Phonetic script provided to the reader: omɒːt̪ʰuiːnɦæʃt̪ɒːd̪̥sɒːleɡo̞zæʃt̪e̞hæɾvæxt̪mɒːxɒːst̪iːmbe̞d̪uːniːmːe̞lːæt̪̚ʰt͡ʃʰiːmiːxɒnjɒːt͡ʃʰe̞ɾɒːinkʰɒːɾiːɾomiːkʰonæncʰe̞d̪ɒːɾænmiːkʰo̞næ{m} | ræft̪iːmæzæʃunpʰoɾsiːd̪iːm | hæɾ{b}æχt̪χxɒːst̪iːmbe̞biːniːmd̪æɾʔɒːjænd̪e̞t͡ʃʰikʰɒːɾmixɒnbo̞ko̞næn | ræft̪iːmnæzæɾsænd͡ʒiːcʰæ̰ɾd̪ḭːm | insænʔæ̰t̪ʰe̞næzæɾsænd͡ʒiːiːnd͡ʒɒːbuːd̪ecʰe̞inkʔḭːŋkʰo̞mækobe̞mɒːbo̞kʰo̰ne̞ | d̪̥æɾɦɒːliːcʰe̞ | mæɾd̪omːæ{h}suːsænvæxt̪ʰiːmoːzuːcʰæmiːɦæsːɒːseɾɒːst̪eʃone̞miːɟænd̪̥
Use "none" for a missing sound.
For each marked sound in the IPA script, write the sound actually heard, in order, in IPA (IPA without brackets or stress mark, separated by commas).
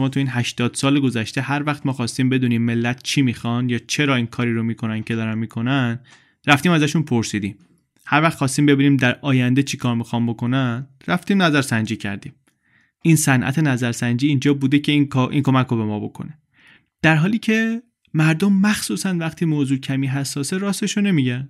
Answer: n, v, x